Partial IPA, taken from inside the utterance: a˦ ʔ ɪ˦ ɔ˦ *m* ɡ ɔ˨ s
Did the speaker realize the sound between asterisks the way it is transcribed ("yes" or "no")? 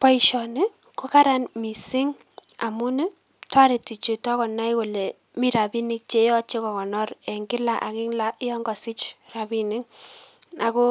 no